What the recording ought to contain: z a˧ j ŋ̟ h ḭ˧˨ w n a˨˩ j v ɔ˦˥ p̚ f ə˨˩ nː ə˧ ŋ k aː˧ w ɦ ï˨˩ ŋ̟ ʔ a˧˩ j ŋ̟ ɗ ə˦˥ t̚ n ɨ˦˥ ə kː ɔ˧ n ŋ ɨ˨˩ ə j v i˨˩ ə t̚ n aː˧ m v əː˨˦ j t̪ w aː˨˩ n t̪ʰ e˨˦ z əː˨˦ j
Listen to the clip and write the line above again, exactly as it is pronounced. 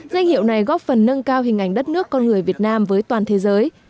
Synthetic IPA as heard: z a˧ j ŋ̟ h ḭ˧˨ w n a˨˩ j ɣ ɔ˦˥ p̚ f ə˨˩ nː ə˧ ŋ k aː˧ w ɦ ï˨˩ ŋ̟ ʔ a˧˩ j ŋ̟ ɗ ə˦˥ t̚ n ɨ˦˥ ə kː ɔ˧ n ŋ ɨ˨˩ ə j v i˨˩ ə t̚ n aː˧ m v əː˨˦ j t̪ w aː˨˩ n t̪ʰ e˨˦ z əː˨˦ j